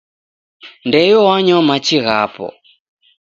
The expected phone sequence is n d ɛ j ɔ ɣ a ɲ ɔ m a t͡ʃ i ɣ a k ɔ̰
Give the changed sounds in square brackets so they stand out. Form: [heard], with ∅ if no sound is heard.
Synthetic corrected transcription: n d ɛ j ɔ [w] a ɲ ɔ m a t͡ʃ i ɣ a [p] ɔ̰